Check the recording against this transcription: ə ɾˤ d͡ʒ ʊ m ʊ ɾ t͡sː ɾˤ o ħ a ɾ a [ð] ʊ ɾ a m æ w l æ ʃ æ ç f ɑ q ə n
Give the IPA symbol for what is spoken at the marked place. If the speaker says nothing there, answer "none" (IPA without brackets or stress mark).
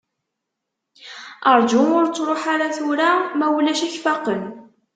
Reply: θ